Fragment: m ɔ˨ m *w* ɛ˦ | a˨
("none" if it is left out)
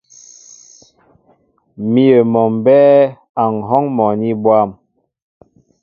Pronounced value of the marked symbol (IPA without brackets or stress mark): b